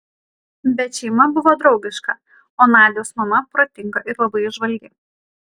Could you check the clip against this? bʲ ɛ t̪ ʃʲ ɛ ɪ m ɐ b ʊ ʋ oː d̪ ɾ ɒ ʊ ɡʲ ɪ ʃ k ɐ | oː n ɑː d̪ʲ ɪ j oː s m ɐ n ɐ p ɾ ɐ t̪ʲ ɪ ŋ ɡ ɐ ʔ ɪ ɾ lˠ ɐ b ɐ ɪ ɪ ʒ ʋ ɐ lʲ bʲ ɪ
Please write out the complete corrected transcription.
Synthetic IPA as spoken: bʲ ɛ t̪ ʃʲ ɛ ɪ m ɐ b ʊ ʋ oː d̪ ɾ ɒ ʊ ɡʲ ɪ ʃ k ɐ | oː n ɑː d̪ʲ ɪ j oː s m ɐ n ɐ p ɾ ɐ t̪ʲ ɪ ŋ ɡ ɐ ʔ ɪ ɾ lˠ ɐ b ɐ ɪ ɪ ʒ ʋ ɐ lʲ ɡʲ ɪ